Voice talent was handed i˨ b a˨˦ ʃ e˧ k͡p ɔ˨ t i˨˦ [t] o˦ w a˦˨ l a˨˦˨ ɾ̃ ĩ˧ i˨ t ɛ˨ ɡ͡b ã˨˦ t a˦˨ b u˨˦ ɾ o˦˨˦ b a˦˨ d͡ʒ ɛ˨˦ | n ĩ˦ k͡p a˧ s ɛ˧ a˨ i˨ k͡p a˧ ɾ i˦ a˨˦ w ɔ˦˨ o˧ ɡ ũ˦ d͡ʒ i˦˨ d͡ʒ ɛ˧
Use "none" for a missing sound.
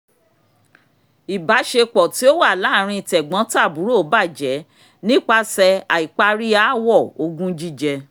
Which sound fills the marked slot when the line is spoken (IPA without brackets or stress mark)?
none